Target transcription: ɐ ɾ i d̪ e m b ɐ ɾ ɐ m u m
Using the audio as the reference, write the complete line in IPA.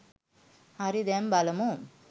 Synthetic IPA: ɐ ɾ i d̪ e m b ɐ l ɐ m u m